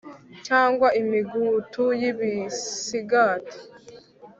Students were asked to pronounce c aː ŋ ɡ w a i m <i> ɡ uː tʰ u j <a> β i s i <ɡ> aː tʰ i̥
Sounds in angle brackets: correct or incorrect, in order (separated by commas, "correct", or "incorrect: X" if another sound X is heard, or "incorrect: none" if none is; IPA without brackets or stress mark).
correct, incorrect: i, correct